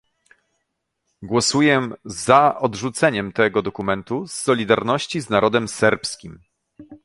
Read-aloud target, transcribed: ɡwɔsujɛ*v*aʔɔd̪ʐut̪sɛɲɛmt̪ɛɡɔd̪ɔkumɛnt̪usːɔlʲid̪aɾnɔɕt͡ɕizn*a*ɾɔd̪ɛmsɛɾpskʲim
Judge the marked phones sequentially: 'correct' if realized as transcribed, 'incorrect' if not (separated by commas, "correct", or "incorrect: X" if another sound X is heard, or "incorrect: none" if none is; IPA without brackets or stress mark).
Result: incorrect: z, correct